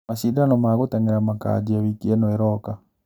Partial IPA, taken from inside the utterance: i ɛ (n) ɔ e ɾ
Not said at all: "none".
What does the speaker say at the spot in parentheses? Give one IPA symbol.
n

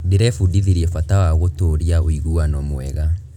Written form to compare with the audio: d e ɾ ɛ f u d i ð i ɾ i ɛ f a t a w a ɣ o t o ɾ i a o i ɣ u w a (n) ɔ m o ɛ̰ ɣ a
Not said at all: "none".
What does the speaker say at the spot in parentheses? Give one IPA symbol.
n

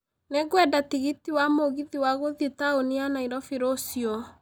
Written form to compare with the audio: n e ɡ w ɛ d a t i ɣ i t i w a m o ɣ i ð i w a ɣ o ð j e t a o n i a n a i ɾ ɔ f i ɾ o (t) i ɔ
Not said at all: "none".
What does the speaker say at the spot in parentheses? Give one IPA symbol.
s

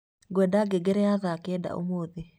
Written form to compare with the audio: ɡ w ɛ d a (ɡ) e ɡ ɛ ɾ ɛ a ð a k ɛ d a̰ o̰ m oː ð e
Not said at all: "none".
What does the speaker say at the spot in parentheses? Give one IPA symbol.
ɡ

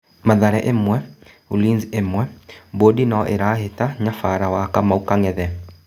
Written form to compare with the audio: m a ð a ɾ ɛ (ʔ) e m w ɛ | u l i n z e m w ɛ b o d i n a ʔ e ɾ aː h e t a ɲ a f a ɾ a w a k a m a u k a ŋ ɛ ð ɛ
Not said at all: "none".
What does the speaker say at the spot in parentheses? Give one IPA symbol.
ʔ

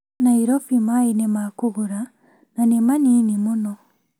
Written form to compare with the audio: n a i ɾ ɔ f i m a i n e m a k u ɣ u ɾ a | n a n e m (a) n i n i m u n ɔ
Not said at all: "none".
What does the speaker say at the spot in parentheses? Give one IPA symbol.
a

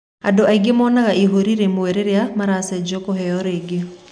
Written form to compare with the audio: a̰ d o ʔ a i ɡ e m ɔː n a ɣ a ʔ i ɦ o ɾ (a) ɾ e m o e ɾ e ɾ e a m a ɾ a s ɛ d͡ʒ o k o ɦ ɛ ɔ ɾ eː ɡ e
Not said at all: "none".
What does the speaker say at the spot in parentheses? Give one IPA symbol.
i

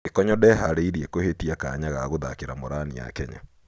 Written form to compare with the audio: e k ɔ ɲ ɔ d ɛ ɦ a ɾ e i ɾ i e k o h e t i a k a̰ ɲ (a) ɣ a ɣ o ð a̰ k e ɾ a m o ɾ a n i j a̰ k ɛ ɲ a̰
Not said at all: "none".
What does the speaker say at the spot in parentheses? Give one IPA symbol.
a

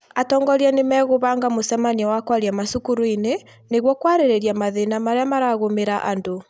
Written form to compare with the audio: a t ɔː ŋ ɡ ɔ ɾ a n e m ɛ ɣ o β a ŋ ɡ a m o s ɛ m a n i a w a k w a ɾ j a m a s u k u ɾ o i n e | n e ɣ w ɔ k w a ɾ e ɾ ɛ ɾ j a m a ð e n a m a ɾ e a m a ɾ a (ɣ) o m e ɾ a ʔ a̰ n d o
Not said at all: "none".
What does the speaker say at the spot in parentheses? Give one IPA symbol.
ɣ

